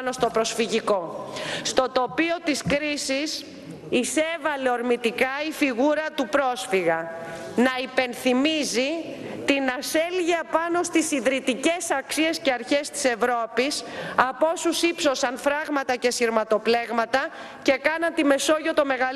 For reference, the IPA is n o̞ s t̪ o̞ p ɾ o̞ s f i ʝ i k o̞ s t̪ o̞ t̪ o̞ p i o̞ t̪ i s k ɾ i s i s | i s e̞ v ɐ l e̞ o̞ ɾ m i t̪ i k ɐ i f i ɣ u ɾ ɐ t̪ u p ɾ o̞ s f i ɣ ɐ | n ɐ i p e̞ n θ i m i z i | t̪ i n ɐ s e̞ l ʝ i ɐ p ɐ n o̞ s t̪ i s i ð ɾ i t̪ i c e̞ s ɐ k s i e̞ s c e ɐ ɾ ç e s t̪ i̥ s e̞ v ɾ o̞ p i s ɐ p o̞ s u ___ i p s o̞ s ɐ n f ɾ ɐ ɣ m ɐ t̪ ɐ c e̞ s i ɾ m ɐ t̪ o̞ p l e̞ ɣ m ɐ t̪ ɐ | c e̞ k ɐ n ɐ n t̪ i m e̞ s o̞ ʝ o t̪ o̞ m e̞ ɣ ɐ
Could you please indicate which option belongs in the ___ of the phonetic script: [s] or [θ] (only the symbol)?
s